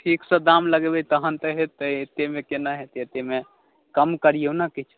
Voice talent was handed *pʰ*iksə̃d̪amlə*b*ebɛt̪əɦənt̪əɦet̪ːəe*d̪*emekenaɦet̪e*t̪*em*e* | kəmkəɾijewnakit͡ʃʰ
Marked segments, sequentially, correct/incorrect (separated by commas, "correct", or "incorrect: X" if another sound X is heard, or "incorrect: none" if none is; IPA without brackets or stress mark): incorrect: ʈʰ, incorrect: ɡ, incorrect: t̪, correct, correct